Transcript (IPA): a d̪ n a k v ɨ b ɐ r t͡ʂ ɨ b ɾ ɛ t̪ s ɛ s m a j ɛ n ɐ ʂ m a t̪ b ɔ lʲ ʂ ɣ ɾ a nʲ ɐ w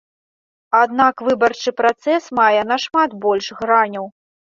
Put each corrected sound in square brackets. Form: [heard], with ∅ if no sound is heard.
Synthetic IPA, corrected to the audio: a d̪ n a k v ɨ b ɐ r t͡ʂ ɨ [p] ɾ [a] t̪ s ɛ s m a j ɛ n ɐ ʂ m a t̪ b ɔ lʲ ʂ ɣ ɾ a nʲ ɐ w